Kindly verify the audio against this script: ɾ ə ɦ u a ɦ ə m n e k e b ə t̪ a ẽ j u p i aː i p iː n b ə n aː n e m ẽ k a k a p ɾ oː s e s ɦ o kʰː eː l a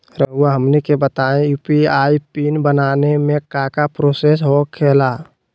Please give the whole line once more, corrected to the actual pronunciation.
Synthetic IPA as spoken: ɾ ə ɦ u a ɦ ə m n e k e b ə t̪ a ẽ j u p i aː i p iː n b ə n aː n e m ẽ k a k a p ɾ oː s e s ɦ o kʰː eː l a